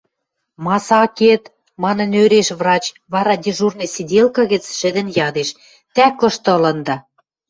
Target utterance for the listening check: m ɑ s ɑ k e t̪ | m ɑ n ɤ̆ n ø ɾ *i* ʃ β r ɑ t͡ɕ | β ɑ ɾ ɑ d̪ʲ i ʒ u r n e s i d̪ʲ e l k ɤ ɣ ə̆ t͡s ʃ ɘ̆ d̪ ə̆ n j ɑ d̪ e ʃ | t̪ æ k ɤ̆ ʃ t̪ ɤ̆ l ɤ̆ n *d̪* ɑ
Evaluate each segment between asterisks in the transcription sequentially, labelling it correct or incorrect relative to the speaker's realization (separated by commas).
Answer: incorrect, correct